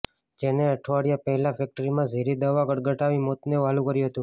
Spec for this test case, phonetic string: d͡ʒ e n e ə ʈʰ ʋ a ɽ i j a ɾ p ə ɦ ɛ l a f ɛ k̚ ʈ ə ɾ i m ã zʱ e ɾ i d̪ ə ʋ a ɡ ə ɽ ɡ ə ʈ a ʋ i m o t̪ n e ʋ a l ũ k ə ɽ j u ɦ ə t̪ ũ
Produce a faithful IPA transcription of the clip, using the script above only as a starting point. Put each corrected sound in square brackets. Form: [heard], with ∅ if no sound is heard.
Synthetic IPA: d͡ʒ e n e ə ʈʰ ʋ a ɽ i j a [∅] p ə ɦ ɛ l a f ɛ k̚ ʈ ə ɾ i m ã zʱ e ɾ i d̪ ə ʋ a ɡ ə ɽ ɡ ə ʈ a ʋ i m o t̪ n e ʋ a l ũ k ə [ɾ] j u ɦ ə t̪ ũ